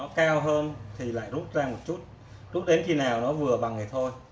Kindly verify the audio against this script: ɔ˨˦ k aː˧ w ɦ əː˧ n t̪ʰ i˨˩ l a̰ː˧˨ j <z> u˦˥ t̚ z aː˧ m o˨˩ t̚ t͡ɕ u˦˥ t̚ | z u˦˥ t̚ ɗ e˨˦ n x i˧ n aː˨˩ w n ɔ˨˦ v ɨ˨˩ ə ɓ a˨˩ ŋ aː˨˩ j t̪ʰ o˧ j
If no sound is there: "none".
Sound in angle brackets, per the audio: z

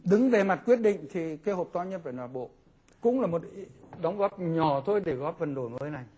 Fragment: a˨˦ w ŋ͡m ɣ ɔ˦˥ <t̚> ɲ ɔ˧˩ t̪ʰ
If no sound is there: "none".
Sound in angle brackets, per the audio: p̚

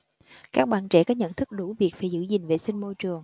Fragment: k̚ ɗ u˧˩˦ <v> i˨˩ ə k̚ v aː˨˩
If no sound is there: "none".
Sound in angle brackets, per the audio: v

